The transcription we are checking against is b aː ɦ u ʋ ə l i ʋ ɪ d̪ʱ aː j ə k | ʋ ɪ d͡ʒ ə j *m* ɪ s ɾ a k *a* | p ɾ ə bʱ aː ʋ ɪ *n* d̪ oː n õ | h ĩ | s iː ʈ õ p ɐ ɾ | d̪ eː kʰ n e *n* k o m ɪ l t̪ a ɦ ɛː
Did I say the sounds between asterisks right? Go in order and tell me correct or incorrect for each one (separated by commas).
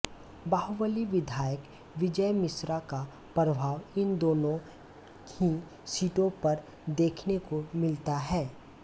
correct, correct, correct, incorrect